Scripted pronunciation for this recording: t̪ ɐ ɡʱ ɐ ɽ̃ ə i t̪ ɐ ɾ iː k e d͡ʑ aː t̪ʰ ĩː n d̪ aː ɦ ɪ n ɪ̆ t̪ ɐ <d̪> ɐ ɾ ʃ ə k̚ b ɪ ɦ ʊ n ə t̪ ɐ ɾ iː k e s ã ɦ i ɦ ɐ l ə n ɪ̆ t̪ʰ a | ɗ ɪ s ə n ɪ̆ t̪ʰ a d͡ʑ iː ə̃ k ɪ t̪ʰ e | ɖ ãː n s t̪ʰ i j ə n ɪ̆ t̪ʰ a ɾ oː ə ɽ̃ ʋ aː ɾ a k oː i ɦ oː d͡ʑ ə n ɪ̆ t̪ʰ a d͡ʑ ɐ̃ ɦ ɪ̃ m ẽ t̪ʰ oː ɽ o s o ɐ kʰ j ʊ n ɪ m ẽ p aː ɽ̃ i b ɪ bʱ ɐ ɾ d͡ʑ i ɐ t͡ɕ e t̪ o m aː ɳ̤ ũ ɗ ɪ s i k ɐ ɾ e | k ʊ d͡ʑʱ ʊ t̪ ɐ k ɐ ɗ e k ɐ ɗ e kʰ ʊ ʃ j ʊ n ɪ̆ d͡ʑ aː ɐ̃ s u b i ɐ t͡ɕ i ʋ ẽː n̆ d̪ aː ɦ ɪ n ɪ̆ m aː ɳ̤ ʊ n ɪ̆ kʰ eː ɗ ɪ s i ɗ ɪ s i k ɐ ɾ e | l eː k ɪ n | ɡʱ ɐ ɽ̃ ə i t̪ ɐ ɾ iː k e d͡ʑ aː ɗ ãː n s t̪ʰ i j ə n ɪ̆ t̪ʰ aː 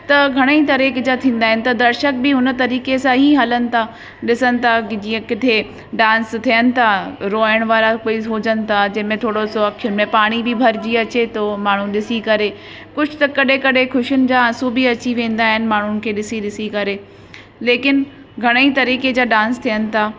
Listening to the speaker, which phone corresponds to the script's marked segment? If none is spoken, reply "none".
d̪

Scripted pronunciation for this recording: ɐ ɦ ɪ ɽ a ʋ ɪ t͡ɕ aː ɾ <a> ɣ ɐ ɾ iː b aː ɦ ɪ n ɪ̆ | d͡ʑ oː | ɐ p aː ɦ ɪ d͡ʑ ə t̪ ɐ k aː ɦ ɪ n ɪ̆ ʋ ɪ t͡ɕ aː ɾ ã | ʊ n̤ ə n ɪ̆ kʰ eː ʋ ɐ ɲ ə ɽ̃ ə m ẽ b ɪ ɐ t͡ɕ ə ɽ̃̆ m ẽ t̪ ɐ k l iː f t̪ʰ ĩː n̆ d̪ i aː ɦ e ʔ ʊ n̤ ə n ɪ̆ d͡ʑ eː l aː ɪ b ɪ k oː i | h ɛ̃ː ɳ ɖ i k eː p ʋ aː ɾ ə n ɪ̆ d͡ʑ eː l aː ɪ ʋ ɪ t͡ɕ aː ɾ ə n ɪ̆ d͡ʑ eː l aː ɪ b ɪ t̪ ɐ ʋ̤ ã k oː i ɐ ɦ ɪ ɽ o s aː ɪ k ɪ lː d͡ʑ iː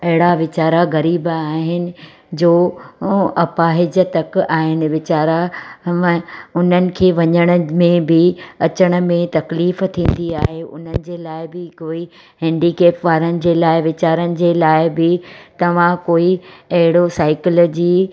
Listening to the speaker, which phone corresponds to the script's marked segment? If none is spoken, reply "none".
a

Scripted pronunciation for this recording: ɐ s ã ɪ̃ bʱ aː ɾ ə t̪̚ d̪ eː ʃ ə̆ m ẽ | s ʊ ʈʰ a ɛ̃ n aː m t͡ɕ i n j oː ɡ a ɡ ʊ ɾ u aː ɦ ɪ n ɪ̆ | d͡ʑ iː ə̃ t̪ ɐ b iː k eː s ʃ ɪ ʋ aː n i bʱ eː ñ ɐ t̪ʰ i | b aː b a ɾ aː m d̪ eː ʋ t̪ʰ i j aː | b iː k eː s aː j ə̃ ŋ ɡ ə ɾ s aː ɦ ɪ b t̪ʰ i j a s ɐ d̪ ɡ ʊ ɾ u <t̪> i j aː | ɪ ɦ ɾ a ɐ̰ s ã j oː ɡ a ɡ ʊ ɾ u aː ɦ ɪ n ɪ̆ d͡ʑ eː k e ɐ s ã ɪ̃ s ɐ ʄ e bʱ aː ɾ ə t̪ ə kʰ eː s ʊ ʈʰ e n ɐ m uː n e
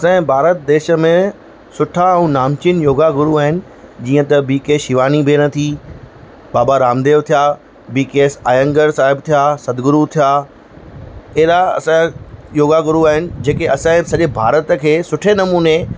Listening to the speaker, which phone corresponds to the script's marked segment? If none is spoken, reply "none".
t̪ʰ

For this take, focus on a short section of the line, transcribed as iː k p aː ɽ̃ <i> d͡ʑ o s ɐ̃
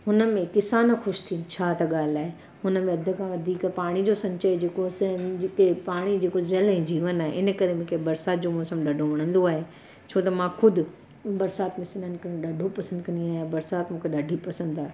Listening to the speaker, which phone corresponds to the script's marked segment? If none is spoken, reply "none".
i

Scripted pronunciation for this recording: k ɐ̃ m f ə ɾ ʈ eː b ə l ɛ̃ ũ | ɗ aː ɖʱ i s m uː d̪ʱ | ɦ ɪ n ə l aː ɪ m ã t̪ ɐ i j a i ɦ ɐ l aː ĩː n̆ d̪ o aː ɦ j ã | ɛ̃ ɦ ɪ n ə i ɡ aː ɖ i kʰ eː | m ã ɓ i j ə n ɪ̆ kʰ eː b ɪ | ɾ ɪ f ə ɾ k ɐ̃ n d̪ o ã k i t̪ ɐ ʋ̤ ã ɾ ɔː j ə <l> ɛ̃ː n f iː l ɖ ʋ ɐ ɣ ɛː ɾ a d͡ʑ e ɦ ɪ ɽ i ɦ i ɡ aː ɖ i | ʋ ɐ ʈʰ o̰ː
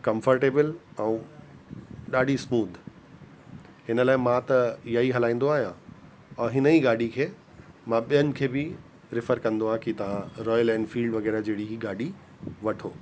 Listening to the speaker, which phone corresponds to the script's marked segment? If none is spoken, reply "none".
l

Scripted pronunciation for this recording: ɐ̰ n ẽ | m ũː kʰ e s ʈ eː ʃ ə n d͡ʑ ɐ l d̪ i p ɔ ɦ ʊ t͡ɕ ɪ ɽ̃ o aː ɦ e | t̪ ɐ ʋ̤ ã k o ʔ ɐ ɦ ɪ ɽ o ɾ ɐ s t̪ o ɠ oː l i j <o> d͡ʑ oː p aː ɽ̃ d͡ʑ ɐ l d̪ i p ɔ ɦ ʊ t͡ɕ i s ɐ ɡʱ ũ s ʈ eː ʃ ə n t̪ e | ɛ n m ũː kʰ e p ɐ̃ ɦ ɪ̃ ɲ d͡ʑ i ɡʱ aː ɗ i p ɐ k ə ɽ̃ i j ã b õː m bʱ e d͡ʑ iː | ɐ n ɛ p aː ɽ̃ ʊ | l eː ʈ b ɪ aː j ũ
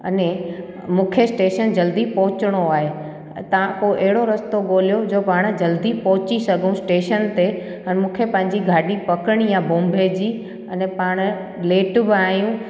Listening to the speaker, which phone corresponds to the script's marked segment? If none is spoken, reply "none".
o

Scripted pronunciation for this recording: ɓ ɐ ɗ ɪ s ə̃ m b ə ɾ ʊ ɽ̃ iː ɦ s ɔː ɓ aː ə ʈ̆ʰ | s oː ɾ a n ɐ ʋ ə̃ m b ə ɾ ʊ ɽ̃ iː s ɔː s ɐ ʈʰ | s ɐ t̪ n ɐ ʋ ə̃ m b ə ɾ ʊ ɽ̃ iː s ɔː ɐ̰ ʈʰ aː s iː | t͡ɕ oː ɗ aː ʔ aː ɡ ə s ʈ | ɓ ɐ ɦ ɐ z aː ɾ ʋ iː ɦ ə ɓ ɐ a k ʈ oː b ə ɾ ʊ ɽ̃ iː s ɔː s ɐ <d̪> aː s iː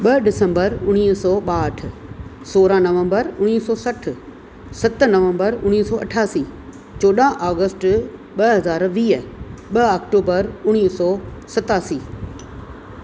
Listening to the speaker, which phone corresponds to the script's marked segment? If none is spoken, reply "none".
t̪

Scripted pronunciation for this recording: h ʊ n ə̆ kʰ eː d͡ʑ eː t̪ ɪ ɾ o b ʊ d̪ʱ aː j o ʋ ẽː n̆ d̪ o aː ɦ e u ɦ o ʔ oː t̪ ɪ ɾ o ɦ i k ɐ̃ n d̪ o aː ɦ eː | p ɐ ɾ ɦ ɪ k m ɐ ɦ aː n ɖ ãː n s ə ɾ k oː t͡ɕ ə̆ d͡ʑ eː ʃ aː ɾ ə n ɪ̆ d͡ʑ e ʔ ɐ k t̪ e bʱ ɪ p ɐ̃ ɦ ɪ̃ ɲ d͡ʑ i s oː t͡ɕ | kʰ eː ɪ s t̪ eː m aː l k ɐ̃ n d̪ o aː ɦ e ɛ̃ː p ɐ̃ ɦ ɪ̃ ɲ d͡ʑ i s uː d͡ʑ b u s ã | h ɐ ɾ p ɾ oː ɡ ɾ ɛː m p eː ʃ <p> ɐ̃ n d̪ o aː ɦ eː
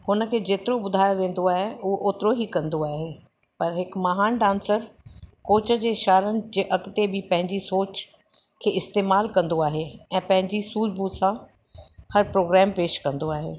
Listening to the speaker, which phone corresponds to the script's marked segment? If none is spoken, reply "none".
k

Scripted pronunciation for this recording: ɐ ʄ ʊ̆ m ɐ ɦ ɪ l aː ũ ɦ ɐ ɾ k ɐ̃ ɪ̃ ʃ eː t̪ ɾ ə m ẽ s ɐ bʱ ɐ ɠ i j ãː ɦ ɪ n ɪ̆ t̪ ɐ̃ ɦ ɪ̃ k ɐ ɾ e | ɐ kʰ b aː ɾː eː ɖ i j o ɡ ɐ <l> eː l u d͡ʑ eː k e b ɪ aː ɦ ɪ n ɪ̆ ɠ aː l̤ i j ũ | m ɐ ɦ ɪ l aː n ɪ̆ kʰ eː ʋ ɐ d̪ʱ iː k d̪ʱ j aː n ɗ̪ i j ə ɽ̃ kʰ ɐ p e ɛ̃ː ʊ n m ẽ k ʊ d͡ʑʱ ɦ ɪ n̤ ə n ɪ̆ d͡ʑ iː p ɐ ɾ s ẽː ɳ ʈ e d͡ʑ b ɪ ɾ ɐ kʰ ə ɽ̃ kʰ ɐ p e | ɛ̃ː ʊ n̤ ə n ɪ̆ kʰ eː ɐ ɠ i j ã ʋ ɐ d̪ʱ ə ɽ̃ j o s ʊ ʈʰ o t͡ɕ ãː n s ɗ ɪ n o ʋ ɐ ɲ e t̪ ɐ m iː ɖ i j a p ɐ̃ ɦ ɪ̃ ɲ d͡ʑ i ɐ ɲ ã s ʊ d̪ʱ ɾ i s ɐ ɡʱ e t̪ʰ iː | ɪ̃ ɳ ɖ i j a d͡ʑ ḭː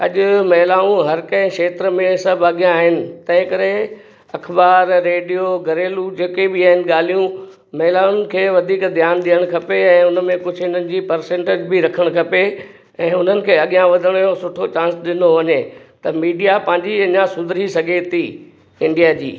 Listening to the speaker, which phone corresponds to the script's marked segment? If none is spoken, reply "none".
ɾ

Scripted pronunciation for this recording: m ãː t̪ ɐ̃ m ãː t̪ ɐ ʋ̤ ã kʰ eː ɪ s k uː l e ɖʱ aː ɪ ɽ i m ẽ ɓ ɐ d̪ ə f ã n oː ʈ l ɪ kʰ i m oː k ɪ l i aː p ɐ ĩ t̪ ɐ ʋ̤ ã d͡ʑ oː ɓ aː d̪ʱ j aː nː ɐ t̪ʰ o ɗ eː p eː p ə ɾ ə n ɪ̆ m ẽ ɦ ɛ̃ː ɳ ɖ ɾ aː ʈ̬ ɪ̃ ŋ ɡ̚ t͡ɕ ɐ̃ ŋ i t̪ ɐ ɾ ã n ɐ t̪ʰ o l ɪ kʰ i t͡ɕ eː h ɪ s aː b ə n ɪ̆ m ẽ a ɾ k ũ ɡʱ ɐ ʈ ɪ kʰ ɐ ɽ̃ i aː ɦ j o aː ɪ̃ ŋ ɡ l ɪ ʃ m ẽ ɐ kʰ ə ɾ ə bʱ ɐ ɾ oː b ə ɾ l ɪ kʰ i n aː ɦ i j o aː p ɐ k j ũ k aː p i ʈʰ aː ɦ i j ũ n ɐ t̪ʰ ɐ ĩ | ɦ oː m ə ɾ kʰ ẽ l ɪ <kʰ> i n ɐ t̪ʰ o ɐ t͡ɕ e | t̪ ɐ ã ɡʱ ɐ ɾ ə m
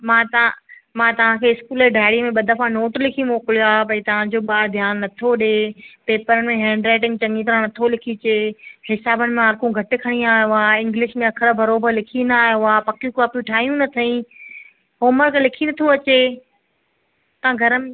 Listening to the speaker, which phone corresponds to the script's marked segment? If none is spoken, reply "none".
kʰ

